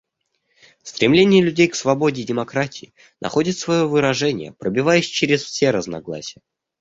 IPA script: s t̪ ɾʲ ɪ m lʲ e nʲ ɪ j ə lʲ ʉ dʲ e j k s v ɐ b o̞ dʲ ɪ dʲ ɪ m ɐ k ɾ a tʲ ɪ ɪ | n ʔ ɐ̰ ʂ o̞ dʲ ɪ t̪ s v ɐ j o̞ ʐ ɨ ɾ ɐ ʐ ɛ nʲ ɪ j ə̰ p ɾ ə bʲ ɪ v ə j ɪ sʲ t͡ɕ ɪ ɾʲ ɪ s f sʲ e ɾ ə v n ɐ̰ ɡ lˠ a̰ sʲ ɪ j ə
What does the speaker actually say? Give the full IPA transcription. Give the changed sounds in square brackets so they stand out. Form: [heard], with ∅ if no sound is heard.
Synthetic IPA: s t̪ ɾʲ ɪ m lʲ e nʲ ɪ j ə lʲ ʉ dʲ e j k s v ɐ b o̞ dʲ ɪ dʲ ɪ m ɐ k ɾ a tʲ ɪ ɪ | n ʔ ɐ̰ [x] o̞ dʲ ɪ t̪ s v ɐ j o̞ [v] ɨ ɾ ɐ ʐ ɛ nʲ ɪ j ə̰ p ɾ ə bʲ ɪ v [a] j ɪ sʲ t͡ɕ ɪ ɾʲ ɪ s f sʲ e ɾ ə [z] n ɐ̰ ɡ lˠ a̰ sʲ ɪ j ə